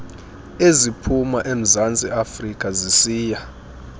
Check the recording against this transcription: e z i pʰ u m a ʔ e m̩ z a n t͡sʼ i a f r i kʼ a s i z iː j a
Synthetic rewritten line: e z i pʰ u m a ʔ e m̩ z a n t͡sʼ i a f r i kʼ a z i s iː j a